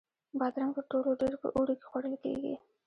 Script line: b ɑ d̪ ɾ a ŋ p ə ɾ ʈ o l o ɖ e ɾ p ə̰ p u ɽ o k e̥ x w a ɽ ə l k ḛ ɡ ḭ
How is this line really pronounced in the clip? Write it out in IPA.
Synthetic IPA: b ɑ d̪ ɾ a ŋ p ə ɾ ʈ o l o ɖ e ɾ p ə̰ ʔ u ɽ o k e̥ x w a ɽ ə l k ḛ ɡ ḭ